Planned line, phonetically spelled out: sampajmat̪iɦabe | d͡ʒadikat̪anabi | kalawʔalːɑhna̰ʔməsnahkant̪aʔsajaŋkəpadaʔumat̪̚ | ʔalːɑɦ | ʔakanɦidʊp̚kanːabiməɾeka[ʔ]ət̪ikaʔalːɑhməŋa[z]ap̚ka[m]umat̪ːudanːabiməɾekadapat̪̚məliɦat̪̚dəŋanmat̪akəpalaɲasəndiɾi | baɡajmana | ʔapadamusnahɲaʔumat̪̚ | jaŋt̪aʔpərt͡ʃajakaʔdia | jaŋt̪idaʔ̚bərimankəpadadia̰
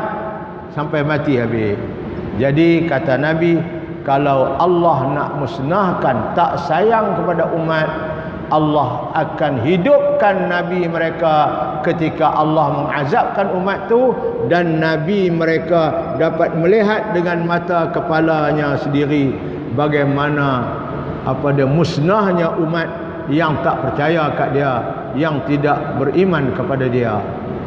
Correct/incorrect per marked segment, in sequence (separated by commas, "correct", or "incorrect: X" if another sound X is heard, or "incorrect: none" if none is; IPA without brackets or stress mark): incorrect: k, correct, incorrect: n